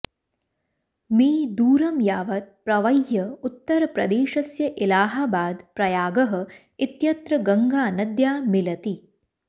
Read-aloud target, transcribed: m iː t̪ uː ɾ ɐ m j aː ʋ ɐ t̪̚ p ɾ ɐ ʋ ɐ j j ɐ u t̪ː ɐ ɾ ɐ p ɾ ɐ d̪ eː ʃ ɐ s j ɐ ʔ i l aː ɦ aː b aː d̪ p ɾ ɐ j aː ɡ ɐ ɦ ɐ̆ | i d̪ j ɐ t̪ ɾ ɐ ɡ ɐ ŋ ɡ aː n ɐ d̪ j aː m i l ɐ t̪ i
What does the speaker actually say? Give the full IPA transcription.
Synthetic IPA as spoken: m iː d̪ uː ɾ ɐ m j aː ʋ ɐ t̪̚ p ɾ ɐ ʋ ɐ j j ɐ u t̪ː ɐ ɾ ɐ p ɾ ɐ d̪ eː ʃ ɐ s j ɐ ʔ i l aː ɦ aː b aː d̪ p ɾ ɐ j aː ɡ ɐ ɦ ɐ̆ | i t̪ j ɐ t̪ ɾ ɐ ɡ ɐ ŋ ɡ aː n ɐ d̪ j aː m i l ɐ t̪ i